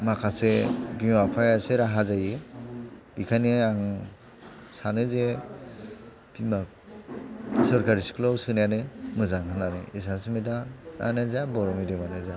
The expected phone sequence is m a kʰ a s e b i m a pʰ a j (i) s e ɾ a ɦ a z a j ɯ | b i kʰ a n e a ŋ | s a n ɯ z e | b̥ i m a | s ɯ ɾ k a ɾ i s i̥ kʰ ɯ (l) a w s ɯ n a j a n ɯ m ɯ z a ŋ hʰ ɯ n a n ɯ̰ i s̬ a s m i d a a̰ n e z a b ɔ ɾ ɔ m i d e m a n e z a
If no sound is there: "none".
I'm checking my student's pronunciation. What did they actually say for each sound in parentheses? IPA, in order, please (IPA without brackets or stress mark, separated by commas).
a, l